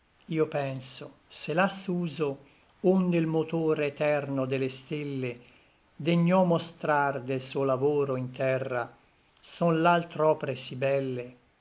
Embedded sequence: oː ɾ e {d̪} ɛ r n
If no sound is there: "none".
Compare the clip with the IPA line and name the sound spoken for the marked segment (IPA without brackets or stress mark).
t̪